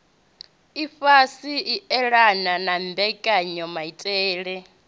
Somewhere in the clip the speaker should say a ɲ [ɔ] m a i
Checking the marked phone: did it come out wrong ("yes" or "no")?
no